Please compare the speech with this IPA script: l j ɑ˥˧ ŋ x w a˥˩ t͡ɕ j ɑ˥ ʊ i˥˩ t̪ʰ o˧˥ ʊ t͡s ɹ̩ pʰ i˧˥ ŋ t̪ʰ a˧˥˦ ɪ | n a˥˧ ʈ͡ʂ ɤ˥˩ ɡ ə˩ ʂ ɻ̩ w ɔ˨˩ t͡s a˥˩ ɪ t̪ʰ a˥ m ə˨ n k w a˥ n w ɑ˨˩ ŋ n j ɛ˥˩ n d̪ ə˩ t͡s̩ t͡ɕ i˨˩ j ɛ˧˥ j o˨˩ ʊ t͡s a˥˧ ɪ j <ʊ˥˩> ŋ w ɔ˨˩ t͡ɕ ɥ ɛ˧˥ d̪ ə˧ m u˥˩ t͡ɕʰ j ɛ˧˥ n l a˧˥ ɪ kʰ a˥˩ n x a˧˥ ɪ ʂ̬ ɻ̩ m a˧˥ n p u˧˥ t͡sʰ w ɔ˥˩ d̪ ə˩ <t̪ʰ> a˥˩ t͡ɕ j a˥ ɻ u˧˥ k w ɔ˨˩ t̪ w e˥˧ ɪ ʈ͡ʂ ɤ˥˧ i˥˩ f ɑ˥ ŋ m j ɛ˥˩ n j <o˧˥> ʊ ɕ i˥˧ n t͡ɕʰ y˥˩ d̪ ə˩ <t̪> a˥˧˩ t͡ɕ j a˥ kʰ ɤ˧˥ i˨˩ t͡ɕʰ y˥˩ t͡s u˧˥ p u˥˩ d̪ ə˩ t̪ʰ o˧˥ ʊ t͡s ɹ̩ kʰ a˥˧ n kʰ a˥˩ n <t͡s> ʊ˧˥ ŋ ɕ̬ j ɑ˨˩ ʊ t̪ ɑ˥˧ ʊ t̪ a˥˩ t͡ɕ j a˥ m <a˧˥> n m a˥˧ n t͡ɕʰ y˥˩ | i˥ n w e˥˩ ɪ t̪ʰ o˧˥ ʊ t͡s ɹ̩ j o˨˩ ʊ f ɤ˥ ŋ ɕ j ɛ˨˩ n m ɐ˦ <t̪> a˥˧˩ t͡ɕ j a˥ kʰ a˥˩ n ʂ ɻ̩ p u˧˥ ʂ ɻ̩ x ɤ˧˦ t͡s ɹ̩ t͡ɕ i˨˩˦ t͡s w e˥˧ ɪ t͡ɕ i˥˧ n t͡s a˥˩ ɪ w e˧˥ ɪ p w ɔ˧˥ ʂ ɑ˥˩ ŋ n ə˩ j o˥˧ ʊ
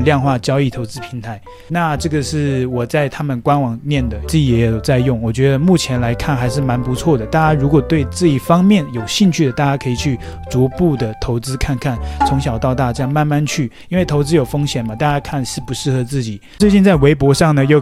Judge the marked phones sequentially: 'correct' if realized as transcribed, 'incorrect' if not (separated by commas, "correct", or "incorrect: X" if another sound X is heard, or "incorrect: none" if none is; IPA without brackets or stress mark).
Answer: correct, incorrect: t̪, incorrect: o˨˩, correct, incorrect: t͡sʰ, incorrect: a˥˧, correct